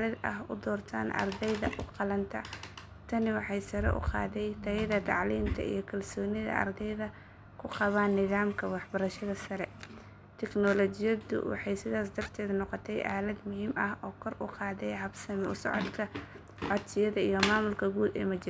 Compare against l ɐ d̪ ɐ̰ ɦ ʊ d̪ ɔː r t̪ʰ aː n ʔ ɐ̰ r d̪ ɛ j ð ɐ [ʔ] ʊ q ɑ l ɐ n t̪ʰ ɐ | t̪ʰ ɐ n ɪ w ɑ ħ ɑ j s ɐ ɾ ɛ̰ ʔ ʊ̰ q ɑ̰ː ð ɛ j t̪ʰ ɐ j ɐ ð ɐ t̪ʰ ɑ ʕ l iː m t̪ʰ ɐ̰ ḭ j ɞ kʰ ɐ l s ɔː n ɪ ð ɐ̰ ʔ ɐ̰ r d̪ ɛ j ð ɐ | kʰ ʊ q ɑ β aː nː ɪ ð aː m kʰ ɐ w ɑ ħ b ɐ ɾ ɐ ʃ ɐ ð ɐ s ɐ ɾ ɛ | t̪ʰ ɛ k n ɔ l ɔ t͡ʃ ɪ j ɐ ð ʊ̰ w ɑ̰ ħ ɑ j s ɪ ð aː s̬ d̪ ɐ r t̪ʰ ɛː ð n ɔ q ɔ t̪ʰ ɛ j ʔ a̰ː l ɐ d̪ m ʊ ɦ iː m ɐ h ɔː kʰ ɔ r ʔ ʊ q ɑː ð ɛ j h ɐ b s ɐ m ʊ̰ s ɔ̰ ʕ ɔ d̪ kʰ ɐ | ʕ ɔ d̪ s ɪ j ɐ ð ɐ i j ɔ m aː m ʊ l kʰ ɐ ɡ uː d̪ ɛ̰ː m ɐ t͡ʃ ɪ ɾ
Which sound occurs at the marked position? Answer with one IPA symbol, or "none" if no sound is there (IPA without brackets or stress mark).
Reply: ʔ